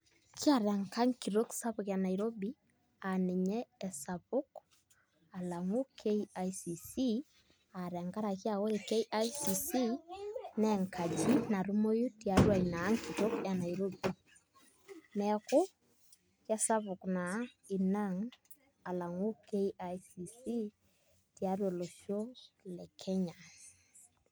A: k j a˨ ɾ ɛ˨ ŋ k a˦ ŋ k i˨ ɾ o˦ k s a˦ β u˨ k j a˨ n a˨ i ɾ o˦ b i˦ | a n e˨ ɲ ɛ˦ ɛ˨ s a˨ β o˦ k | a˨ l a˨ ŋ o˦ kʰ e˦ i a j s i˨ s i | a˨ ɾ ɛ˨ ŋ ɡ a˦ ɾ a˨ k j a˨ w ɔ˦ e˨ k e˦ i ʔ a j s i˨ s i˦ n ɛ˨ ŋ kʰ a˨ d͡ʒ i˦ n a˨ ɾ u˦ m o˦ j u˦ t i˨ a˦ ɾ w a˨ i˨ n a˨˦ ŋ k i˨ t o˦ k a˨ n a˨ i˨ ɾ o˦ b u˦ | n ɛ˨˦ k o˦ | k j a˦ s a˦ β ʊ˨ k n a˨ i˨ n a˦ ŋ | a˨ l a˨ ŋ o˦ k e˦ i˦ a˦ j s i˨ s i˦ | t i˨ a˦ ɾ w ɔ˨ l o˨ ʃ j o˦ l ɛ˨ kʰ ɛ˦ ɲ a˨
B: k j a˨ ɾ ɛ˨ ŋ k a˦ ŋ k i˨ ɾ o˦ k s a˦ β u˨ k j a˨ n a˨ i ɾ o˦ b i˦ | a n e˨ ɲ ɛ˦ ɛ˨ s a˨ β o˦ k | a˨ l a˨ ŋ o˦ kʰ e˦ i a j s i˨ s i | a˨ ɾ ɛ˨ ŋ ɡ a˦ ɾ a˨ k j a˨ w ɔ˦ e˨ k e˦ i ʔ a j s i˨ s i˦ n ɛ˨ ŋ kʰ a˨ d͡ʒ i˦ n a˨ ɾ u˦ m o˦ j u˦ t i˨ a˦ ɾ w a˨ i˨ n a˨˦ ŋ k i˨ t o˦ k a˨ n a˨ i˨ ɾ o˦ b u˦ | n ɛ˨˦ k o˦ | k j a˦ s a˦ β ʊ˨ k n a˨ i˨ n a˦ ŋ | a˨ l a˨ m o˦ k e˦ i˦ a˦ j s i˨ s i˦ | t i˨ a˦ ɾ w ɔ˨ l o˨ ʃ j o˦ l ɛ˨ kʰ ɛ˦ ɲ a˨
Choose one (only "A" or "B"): A